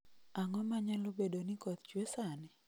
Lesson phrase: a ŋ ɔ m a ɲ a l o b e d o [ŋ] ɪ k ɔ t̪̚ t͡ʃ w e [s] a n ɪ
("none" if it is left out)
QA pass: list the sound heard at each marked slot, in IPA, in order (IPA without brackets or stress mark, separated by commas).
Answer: n, s